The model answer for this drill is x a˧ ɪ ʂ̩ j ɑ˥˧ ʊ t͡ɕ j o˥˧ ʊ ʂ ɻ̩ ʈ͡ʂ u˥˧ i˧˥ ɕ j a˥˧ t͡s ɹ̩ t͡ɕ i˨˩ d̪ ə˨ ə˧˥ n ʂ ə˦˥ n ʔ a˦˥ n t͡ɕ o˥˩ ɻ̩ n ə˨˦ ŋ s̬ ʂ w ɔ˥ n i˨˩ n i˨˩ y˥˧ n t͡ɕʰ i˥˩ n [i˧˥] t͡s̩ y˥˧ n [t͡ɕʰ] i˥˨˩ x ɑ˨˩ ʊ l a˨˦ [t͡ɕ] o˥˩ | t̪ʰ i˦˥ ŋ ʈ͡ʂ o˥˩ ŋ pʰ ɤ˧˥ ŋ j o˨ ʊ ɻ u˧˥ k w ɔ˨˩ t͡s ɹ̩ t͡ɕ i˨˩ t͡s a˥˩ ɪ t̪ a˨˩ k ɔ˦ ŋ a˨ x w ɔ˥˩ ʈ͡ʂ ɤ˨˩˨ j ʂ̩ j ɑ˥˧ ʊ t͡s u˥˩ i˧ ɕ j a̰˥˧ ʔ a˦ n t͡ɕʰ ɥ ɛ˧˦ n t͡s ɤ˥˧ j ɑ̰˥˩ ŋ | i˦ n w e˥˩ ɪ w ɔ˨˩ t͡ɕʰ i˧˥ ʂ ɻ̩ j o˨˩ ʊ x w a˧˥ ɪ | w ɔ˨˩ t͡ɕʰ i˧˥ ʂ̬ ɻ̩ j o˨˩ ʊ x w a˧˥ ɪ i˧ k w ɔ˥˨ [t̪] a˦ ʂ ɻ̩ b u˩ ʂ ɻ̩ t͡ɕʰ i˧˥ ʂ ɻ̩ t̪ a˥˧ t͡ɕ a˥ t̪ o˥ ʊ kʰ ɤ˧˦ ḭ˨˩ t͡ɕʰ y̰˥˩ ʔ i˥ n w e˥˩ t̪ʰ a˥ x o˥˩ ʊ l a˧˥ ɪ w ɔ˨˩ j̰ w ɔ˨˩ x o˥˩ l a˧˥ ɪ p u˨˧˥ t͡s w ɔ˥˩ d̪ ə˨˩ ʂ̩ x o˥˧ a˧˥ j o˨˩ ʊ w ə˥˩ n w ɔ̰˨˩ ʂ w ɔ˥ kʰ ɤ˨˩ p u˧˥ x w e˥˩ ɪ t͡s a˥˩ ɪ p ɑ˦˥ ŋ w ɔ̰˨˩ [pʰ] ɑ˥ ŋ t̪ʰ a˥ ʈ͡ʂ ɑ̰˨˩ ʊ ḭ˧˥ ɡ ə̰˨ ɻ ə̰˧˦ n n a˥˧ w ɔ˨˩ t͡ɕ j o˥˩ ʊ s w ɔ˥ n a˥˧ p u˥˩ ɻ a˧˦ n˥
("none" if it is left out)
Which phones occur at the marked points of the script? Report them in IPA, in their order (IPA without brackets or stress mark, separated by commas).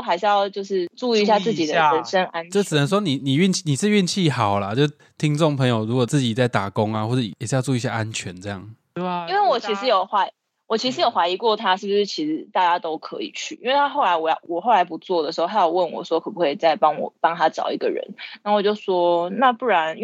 i˨˩, t͡ɕʰ, t͡ɕ, t̪ʰ, p